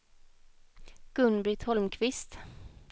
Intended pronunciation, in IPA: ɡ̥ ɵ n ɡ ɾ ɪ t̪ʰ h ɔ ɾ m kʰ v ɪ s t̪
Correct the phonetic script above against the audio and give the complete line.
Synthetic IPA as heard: ɡ̥ ɵ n b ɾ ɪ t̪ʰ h ɔ l m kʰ v ɪ s t̪